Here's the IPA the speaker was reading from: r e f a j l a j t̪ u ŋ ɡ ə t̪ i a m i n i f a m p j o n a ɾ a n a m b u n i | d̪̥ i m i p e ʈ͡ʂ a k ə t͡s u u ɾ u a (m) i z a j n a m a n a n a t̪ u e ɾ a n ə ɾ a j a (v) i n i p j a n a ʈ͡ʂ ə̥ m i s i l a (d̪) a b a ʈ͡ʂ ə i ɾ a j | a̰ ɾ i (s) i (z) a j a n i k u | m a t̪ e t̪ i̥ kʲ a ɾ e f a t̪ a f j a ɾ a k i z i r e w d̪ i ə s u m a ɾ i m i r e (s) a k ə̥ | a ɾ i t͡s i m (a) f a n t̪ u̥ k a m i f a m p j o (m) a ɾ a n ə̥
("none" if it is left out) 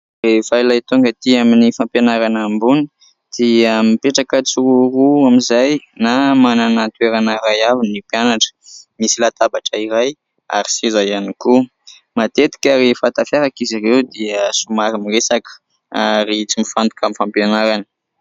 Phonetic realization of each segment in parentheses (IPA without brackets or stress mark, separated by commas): m, v, t̪, s, z, s, i, n